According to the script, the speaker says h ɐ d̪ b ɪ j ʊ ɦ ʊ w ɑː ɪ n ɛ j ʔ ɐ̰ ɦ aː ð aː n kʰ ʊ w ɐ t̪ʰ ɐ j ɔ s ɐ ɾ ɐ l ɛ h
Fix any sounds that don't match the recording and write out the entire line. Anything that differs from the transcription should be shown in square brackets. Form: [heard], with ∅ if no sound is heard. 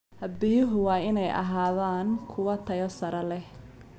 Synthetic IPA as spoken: h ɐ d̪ b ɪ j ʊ ɦ ʊ w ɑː ɪ n ɛ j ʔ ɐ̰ ɦ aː ð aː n kʰ ʊ w ɐ t̪ʰ ɐ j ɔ s ɐ ɾ ɐ l ɛ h